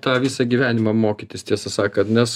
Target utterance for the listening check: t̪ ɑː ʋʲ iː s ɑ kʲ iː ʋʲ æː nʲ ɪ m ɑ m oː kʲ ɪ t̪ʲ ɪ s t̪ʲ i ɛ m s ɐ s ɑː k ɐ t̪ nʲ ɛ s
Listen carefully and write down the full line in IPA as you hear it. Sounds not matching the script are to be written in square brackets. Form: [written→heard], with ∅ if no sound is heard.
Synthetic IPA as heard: t̪ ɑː ʋʲ iː s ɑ [kʲ→ɡʲ] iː ʋʲ æː nʲ ɪ m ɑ m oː kʲ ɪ t̪ʲ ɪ s t̪ʲ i ɛ [m→∅] s ɐ s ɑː k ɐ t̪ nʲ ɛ s